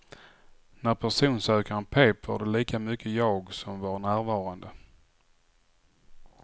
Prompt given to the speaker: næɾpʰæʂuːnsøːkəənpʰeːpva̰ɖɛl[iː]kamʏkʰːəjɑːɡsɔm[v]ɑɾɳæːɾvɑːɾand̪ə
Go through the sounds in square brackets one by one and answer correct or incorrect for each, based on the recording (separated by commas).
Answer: correct, correct